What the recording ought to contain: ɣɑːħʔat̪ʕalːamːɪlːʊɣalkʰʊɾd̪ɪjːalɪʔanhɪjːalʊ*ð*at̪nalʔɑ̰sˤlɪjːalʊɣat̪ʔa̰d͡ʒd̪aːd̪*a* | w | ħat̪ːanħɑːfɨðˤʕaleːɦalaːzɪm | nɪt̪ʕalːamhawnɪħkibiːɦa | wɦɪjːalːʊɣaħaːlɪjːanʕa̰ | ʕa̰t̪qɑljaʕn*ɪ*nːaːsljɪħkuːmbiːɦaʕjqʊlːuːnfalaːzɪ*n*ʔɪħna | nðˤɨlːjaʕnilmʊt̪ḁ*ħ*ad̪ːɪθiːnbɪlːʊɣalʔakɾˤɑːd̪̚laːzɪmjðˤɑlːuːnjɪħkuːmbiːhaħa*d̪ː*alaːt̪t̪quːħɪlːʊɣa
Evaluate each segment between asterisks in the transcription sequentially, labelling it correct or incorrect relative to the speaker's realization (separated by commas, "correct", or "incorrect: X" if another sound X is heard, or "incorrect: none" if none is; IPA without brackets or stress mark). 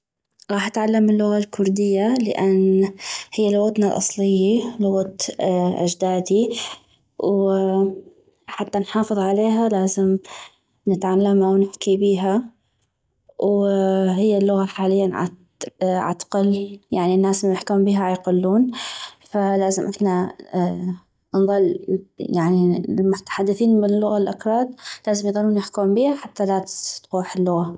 incorrect: ɣ, incorrect: i, incorrect: i, incorrect: m, correct, incorrect: t̪ː